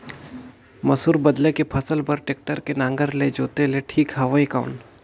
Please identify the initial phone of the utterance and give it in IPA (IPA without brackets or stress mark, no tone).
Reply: m